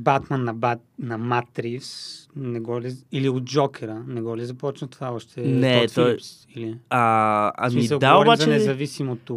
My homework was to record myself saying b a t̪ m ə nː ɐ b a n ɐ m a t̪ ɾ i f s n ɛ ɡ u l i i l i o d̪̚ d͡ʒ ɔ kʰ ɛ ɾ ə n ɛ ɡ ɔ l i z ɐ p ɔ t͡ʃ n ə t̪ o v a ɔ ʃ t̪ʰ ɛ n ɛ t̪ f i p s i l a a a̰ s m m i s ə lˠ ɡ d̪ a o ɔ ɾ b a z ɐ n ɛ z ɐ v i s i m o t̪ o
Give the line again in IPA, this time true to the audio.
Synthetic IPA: b a t̪ m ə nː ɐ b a n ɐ m a t̪ ɾ i f s n ɛ ɡ ɔ l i i l i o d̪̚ d͡ʒ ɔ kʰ ɛ ɾ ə n ɛ ɡ ɔ l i z ɐ p ɔ t͡ʃ n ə t̪ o v a ɔ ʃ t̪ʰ ɛ n ɛ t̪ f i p s i l i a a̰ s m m i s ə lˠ ɡ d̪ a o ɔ ɾ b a z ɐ n ɛ z ɐ v i s i m o t̪ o